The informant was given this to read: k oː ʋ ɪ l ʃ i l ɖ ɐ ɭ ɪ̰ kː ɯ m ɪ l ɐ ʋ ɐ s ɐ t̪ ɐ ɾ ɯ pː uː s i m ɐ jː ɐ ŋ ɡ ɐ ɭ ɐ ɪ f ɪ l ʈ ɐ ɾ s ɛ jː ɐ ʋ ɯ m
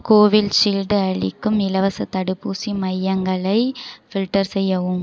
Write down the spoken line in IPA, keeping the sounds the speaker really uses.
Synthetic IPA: k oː ʋ ɪ l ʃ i l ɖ ɐ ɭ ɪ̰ kː ɯ m ɪ l ɐ ʋ ɐ s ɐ t̪ ɐ ɽ ɯ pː uː s i m ɐ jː ɐ ŋ ɡ ɐ ɭ ɐ ɪ f ɪ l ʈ ɐ ɾ s ɛ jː ɐ ʋ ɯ m